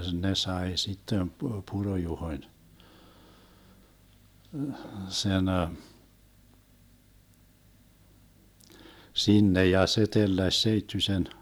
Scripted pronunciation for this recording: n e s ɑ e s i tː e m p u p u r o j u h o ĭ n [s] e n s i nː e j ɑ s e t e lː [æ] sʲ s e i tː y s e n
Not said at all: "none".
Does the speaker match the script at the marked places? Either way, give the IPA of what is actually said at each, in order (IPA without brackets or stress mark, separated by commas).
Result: s, æ